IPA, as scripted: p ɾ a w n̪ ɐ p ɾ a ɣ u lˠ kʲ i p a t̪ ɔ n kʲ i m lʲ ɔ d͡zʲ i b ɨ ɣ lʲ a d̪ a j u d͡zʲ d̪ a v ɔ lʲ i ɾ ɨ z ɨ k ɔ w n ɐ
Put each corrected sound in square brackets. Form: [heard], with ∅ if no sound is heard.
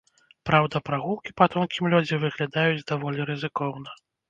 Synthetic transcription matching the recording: p ɾ a w [d̪] ɐ p ɾ a ɣ u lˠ kʲ i p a t̪ ɔ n kʲ i m lʲ ɔ d͡zʲ i [v] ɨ ɣ lʲ a d̪ a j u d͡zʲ d̪ a v ɔ lʲ i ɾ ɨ z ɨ k ɔ w n ɐ